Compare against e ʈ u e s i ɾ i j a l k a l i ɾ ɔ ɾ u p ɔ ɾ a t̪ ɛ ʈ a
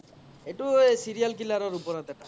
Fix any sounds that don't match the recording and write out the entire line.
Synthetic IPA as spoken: e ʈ u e s i ɾ i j a l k i l a ɾ ɔ ɾ u p ɔ ɾ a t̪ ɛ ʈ a